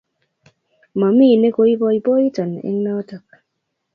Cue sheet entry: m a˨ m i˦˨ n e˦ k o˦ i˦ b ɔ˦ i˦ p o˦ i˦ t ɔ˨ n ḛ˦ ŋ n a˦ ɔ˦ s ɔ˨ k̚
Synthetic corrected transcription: m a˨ m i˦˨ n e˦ k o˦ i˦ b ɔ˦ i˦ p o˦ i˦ t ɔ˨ n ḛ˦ ŋ n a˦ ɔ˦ t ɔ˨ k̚

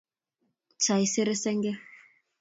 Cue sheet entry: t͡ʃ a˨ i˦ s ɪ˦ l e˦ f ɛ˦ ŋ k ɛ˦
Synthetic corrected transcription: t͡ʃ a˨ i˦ s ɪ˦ ɾ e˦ s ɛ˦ ŋ ɡ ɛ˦

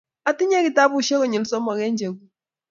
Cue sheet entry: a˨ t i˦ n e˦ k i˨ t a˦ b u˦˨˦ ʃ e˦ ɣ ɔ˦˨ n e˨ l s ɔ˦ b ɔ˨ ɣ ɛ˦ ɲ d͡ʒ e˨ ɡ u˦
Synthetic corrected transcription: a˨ t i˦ ɲ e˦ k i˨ t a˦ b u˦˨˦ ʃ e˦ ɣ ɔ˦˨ ɲ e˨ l s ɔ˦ m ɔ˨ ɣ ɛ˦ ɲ d͡ʒ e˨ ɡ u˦

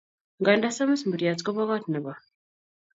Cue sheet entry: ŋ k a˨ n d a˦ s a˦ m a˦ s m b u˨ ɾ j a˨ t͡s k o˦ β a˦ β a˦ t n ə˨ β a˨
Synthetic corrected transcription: ŋ ɡ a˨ n d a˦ s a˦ m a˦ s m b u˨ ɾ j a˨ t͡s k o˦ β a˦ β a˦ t n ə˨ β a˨

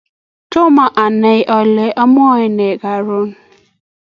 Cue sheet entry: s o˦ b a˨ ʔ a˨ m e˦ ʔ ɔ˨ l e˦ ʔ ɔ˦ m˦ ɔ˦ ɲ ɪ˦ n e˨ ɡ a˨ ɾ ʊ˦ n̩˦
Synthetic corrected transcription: t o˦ m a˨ ʔ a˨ n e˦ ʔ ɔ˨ l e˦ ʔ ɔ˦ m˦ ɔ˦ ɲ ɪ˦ n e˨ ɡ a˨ ɾ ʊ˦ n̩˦

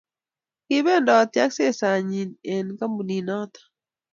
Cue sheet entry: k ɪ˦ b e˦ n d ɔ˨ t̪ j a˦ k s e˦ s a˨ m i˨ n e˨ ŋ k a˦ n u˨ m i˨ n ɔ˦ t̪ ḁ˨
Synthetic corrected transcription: k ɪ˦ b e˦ n d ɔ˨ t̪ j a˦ k s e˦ s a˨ ɲ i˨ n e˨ n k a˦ m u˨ n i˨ n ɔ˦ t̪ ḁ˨

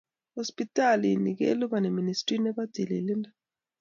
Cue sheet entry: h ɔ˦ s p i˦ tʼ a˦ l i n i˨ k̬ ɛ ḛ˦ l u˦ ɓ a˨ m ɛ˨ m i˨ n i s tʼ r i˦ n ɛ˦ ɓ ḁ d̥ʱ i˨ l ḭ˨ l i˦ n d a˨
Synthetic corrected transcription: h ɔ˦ s p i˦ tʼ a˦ l i n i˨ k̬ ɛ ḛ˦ l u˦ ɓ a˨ n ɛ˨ m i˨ n i s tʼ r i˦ n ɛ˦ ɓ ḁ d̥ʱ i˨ l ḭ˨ l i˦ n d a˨

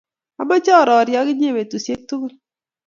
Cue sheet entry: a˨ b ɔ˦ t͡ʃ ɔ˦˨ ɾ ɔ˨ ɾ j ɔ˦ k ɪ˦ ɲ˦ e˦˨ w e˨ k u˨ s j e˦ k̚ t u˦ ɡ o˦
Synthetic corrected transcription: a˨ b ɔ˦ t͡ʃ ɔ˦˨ ɾ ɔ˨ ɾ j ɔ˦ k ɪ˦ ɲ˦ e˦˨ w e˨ t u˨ s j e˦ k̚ t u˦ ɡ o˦

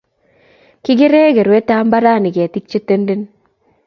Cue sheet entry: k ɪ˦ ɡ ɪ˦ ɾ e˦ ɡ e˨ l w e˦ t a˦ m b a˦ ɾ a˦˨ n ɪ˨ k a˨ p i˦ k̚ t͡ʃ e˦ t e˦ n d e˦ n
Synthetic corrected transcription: k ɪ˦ ɡ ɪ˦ ɾ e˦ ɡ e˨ ɾ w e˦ t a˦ m b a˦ ɾ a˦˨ n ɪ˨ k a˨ t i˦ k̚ t͡ʃ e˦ t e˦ n d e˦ n

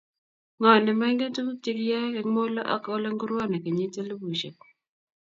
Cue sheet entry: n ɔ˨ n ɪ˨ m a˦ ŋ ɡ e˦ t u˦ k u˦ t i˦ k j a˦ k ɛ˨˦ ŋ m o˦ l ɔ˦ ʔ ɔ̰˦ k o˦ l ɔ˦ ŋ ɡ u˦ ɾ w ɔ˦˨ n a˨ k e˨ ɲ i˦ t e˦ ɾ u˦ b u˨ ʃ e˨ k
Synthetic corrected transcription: ŋ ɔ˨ n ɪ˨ m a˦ ŋ ɡ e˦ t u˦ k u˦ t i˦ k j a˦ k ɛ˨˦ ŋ m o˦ l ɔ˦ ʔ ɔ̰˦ k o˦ l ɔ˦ ŋ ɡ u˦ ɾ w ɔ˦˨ n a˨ k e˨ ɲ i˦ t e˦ l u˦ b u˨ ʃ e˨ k

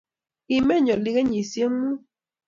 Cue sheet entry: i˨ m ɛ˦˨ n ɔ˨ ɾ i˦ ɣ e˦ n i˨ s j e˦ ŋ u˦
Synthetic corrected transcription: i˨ m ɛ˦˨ ɲ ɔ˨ l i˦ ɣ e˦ ɲ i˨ s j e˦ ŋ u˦

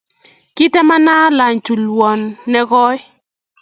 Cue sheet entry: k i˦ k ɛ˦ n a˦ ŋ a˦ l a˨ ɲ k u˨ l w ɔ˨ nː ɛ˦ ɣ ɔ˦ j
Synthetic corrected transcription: k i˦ t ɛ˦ m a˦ n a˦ l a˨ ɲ t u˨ l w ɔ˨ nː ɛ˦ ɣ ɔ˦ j

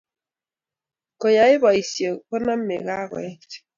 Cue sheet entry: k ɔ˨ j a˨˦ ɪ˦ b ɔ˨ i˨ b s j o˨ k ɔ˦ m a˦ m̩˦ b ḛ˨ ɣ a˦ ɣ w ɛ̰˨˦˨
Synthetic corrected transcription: k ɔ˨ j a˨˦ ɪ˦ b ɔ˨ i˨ s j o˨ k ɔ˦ n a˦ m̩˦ m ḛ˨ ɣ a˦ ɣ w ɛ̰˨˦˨

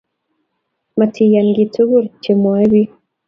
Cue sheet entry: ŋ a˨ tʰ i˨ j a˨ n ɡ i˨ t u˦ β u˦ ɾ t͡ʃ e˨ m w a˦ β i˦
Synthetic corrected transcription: m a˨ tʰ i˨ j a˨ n ɡ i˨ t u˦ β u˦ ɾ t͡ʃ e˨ m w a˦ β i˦

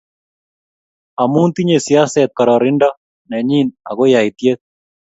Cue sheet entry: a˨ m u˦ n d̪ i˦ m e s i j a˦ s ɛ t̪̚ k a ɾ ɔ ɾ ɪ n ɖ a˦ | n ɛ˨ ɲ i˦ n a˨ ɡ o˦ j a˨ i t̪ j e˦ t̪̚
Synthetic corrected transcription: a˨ m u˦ n t̪ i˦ ɲ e s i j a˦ s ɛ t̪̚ k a ɾ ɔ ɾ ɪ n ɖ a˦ | n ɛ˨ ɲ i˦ n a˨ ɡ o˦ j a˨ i t̪ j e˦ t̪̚

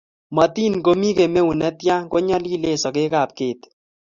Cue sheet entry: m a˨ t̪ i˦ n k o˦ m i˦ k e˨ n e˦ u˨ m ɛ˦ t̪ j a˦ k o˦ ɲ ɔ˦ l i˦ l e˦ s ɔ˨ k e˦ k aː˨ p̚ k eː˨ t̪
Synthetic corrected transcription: m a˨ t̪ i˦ n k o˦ m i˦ k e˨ m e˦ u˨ n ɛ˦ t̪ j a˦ k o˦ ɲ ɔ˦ l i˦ l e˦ s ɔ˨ k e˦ k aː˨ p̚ k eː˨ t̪

